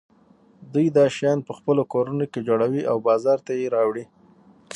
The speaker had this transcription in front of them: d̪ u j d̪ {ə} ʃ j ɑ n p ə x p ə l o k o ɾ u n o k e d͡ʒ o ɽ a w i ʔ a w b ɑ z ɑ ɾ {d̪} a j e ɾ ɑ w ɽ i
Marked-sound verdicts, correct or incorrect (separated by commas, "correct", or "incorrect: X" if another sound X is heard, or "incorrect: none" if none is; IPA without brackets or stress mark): incorrect: ɑ, incorrect: t̪